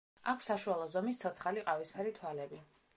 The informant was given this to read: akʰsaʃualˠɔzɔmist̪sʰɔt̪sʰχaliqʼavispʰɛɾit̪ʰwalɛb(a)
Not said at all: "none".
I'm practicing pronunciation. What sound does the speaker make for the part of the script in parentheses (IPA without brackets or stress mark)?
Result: i